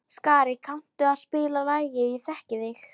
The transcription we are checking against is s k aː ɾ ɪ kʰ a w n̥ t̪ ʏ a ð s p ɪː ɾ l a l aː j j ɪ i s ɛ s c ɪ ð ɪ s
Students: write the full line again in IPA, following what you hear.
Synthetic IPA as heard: s k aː ɾ ɪ kʰ a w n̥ t̪ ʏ a ð s p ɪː l a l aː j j ɪ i θ ɛ h c ɪ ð ɪ x